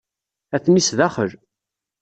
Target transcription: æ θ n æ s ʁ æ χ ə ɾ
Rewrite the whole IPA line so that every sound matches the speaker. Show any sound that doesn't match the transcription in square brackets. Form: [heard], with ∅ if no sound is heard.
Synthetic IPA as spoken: æ θ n [i] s [ð] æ χ ə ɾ